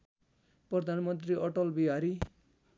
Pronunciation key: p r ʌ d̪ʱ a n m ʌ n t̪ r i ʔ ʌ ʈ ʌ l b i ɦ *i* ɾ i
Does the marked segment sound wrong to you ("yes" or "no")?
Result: yes